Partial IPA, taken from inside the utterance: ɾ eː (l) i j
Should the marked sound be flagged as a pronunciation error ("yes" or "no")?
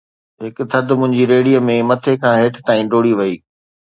yes